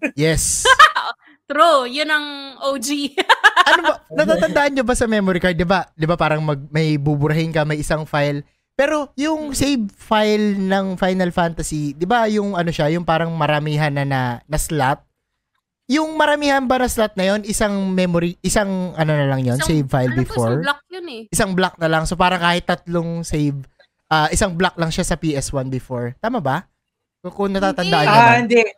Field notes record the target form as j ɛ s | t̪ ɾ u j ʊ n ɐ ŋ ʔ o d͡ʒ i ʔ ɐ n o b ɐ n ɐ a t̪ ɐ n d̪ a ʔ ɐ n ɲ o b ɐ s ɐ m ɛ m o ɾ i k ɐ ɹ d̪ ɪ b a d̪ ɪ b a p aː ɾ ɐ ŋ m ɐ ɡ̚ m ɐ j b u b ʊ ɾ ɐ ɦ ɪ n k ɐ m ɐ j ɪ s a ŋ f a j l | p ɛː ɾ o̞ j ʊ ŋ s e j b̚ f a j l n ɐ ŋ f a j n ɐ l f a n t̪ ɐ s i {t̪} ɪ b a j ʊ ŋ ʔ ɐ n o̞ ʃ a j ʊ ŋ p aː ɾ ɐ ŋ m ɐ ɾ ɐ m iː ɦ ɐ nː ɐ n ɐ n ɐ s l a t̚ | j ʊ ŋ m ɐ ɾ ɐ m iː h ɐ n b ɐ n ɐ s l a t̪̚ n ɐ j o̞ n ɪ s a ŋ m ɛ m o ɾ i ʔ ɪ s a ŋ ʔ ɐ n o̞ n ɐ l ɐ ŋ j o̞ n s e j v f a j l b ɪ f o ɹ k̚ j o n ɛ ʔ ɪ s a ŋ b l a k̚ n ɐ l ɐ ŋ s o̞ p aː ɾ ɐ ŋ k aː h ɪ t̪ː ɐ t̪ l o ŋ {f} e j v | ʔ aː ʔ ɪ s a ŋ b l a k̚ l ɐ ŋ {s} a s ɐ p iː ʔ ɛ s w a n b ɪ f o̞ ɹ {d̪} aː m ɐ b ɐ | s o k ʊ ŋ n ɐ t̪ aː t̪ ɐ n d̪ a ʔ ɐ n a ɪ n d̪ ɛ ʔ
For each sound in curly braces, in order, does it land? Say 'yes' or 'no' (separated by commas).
no, no, no, no